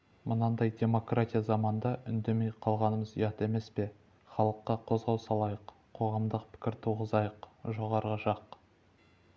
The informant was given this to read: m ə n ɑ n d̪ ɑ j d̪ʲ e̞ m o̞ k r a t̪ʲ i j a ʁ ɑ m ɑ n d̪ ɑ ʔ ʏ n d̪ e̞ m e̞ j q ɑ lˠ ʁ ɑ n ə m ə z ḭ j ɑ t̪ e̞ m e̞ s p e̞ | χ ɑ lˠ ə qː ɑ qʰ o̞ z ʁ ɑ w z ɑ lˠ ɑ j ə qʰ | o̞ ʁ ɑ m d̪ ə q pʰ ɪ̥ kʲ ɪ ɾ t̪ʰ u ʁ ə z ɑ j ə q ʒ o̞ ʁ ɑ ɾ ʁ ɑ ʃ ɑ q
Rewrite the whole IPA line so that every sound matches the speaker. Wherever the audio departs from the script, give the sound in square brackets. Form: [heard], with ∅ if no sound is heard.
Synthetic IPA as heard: m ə n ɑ n d̪ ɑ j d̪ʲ e̞ m o̞ k r a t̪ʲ i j a [z] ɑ m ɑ n d̪ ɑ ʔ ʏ n d̪ e̞ m e̞ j [qʰ] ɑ lˠ ʁ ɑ n ə m ə z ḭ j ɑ t̪ e̞ m e̞ s p e̞ | χ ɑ lˠ ə qː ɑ qʰ o̞ z ʁ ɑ w [s] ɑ lˠ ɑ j ə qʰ | o̞ ʁ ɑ m d̪ ə q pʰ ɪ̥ kʲ ɪ ɾ t̪ʰ u ʁ ə z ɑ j ə q ʒ o̞ ʁ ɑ ɾ ʁ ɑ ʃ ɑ q